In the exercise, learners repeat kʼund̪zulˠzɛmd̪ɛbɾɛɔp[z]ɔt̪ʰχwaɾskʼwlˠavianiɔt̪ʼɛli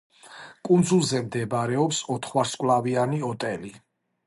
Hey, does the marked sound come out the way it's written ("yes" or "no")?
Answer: no